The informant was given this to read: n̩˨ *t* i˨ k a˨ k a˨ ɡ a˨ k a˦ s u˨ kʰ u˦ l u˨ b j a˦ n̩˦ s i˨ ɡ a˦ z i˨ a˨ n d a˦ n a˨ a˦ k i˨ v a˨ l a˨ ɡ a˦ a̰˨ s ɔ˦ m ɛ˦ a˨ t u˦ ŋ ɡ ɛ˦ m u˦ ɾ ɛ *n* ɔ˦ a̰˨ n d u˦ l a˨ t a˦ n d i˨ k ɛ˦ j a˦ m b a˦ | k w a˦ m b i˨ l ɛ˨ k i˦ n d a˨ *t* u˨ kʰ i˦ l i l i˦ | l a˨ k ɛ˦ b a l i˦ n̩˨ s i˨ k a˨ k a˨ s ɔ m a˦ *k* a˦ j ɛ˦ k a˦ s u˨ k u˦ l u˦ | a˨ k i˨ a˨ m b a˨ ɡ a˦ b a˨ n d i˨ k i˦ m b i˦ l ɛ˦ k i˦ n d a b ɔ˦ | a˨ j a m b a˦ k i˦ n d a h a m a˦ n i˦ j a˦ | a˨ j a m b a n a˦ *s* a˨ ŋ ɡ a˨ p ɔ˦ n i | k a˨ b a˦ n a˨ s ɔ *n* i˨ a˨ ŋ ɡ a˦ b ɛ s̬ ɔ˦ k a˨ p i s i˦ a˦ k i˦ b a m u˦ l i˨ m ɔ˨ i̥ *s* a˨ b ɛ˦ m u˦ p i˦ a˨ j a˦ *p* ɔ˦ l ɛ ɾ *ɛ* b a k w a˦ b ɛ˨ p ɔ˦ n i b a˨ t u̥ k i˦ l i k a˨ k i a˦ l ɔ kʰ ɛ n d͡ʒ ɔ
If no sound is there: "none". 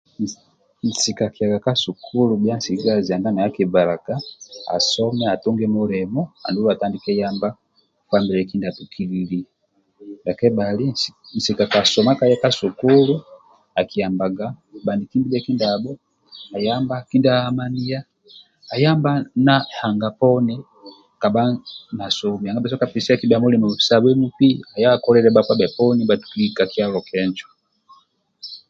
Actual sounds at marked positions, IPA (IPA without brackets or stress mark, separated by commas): s, m, t, k, h, m, s, k, ɛ